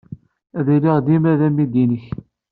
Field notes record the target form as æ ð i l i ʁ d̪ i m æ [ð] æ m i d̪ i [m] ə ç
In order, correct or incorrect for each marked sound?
correct, incorrect

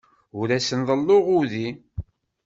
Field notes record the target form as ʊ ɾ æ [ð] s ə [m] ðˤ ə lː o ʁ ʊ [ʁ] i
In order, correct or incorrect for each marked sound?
incorrect, incorrect, incorrect

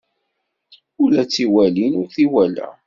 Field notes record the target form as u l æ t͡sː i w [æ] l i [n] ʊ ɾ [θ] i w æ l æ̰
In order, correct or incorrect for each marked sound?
correct, correct, correct

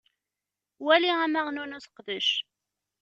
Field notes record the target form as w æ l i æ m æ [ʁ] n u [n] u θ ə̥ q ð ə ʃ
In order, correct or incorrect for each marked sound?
correct, correct

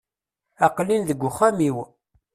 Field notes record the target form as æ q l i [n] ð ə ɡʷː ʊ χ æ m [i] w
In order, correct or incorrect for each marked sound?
correct, correct

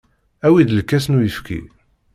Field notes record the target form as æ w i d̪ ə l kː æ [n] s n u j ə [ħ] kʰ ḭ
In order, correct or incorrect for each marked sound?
incorrect, incorrect

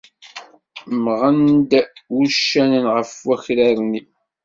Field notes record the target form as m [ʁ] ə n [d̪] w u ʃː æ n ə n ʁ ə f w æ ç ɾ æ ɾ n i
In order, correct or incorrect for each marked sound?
correct, correct

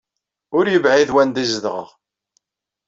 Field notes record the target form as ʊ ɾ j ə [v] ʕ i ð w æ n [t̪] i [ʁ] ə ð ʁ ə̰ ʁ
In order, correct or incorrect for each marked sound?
correct, incorrect, incorrect

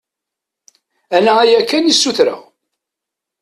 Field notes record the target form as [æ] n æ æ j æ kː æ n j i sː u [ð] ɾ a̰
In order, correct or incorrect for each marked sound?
correct, incorrect

